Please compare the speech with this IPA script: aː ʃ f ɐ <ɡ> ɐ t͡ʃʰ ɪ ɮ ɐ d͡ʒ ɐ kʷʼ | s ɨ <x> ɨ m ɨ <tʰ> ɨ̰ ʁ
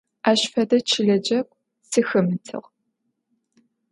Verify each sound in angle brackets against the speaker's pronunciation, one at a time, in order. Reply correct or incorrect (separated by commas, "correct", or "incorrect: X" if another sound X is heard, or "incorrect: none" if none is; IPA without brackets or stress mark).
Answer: incorrect: d, correct, correct